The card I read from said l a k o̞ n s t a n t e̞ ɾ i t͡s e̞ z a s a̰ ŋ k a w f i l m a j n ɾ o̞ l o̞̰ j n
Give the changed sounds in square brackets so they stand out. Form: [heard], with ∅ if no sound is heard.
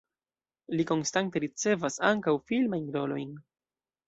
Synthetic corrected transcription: l [i] k o̞ n s t a n t e̞ ɾ i t͡s e̞ [v] a s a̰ ŋ k a w f i l m a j n ɾ o̞ l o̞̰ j n

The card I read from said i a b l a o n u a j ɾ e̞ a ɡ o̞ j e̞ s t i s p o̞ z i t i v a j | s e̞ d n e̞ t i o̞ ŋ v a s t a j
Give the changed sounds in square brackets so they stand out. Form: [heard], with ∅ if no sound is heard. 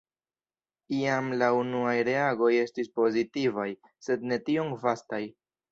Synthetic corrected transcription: i a [m] l a [u] n u a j ɾ e̞ a ɡ o̞ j e̞ s t i s p o̞ z i t i v a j | s e̞ d n e̞ t i o̞ ŋ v a s t a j

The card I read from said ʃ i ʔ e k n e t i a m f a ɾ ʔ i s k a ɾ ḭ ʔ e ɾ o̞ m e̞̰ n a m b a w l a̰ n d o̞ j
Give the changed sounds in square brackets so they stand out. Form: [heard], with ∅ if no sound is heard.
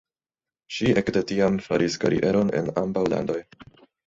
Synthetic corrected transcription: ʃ i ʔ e k [d] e t i a m f a ɾ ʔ i s k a ɾ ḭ ʔ e ɾ o̞ [n] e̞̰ n a m b a w l a̰ n d o̞ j

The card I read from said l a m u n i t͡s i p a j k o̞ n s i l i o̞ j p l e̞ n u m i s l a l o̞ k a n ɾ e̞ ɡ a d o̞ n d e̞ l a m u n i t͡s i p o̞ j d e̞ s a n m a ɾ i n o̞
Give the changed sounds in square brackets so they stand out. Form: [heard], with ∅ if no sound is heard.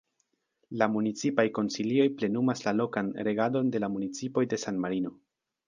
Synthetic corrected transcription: l a m u n i t͡s i p a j k o̞ n s i l i o̞ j p l e̞ n u m [a] s l a l o̞ k a n ɾ e̞ ɡ a d o̞ n d e̞ l a m u n i t͡s i p o̞ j d e̞ s a n m a ɾ i n o̞

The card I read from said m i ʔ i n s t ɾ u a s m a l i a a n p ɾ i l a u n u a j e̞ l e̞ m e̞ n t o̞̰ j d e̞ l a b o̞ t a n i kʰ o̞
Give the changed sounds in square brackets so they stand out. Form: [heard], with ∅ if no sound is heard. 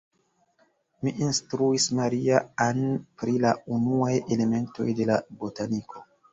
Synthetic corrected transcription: m i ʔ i n s t ɾ u [i] s m a [ɾ] i a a n p ɾ i l a u n u a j e̞ l e̞ m e̞ n t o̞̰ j d e̞ l a b o̞ t a n i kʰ o̞

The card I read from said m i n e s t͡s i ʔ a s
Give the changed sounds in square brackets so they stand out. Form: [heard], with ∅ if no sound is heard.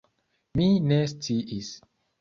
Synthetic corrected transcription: m i n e s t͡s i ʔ [i] s

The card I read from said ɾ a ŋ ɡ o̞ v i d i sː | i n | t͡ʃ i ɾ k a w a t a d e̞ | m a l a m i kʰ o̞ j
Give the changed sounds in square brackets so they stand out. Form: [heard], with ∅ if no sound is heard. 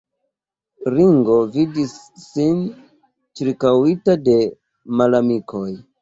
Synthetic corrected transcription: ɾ [i] ŋ ɡ o̞ v i d i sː | i n | t͡ʃ i ɾ k a w [i] t a d e̞ | m a l a m i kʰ o̞ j

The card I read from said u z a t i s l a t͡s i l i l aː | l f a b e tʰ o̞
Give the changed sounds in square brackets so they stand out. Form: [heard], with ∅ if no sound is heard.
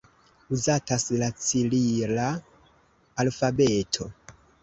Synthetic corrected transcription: u z a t [a] s l a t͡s i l i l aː | l f a b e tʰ o̞

